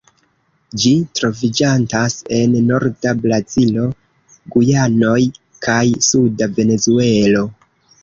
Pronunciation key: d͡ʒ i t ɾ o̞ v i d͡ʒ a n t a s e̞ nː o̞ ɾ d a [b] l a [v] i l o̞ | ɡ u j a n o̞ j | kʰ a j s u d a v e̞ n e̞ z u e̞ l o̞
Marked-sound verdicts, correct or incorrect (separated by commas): correct, incorrect